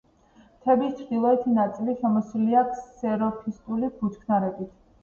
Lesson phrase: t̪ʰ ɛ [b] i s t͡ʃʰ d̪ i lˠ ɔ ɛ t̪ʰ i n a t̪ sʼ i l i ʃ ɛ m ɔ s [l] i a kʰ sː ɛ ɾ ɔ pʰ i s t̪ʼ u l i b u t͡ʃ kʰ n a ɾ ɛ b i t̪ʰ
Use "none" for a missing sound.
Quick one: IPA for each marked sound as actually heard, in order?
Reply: b, l

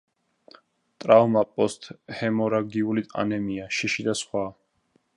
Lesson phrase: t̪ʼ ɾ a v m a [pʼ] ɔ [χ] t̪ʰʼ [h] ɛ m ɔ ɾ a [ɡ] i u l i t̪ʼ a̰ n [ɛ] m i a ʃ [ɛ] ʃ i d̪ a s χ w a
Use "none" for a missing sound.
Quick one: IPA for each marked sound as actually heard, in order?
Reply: pʼ, s, h, ɡ, ɛ, i

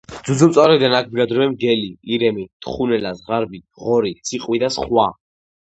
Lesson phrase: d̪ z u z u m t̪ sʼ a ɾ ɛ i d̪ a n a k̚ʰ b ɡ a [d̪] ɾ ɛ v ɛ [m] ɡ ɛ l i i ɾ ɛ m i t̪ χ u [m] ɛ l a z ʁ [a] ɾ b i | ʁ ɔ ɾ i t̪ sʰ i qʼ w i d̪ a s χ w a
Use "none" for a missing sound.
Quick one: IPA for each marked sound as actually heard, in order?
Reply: d̪, m, n, a

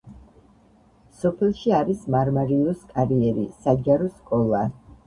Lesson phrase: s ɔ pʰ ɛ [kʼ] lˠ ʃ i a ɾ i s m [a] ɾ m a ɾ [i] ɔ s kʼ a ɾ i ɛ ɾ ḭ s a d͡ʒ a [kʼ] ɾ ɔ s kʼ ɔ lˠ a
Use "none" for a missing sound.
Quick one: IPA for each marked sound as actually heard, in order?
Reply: none, a, i, none

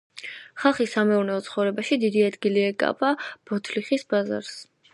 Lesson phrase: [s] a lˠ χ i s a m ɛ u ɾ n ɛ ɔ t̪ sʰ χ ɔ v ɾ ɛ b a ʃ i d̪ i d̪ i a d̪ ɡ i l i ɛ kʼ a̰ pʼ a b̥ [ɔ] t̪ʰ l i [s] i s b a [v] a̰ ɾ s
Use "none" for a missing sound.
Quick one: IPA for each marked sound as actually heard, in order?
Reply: χ, ɔ, χ, z

